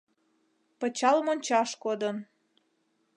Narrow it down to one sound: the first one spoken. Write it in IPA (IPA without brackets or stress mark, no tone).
p